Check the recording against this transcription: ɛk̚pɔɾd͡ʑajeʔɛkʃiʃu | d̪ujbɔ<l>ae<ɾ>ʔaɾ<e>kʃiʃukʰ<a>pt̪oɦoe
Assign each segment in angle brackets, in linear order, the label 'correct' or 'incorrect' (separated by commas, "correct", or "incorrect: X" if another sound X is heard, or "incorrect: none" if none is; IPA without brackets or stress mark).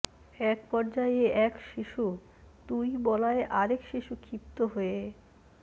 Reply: correct, incorrect: none, correct, incorrect: i